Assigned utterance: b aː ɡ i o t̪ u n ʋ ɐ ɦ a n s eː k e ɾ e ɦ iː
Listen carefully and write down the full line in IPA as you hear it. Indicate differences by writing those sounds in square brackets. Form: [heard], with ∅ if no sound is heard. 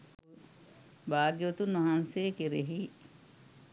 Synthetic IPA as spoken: b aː ɡ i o t̪ u n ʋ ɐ ɦ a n s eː k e ɾ e ɦ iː